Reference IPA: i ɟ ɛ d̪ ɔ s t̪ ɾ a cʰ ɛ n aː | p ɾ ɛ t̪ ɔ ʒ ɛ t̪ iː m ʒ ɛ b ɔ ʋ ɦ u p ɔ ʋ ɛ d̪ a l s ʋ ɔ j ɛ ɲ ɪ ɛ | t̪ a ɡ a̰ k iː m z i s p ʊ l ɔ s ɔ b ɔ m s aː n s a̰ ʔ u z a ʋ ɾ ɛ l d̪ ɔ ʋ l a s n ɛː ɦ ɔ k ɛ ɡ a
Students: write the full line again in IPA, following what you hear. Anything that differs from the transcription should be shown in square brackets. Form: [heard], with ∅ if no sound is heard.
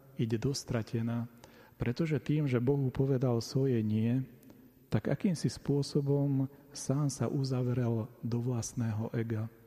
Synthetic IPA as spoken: i ɟ ɛ d̪ ɔ s t̪ ɾ a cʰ ɛ n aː | p ɾ ɛ t̪ ɔ ʒ ɛ t̪ iː m ʒ ɛ b ɔ [∅] ɦ u p ɔ ʋ ɛ d̪ a l s ʋ ɔ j ɛ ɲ ɪ ɛ | t̪ a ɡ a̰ k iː m [s] i s p ʊ [∅] ɔ s ɔ b ɔ m s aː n s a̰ ʔ u z a ʋ ɾ ɛ l d̪ ɔ ʋ l a s n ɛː ɦ ɔ [ʔ] ɛ ɡ a